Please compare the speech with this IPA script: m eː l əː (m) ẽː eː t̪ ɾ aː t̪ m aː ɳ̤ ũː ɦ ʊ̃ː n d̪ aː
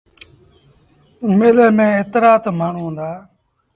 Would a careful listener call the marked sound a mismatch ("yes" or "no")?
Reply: no